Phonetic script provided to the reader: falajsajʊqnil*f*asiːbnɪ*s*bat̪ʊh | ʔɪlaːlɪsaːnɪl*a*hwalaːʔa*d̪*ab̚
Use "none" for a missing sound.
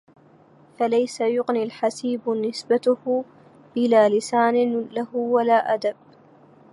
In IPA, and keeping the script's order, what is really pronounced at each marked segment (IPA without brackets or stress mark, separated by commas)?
ħ, s, a, d̪